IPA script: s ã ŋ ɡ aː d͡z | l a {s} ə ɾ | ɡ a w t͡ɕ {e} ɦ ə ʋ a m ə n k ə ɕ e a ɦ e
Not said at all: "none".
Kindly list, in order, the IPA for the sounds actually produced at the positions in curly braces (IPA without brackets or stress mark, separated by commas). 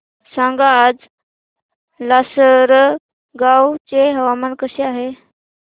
s, e